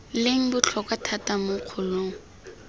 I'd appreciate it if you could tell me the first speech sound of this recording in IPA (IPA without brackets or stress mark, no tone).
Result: l